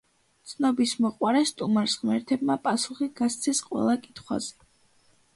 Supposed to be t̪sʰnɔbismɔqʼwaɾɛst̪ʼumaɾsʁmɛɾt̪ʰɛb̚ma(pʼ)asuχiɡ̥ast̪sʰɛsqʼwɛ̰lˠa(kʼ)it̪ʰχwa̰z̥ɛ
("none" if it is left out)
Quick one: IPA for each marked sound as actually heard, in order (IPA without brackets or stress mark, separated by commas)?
pʼ, kʼ